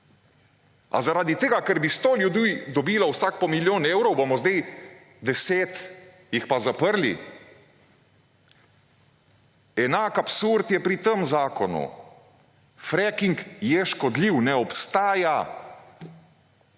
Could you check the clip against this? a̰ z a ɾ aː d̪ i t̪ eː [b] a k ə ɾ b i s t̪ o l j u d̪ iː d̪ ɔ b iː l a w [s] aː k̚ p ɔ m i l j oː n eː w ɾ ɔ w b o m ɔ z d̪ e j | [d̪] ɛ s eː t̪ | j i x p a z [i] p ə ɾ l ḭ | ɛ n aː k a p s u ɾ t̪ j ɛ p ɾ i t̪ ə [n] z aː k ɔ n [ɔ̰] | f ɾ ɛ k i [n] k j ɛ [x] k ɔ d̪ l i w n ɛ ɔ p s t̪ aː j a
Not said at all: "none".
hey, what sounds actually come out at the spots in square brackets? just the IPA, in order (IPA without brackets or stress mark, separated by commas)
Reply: ɡ, s, d̪, a, m, ṵ, ŋ, ʃ